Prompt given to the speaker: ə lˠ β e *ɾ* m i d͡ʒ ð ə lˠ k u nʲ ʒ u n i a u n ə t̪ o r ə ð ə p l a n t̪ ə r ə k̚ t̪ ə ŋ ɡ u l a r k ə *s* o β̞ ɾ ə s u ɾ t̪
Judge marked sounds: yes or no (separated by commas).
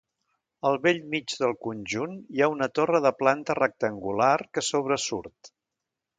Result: no, yes